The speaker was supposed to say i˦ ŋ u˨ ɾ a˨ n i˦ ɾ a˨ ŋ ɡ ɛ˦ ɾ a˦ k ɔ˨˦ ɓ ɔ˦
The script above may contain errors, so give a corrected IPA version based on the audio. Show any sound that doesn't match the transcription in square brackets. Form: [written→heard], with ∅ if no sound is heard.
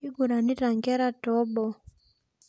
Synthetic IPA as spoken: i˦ [ŋ→ɡ] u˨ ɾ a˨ n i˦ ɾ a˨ ŋ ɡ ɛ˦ ɾ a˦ [k→t] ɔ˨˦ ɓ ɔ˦